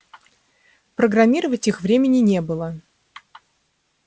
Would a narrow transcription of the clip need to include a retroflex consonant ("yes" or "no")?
no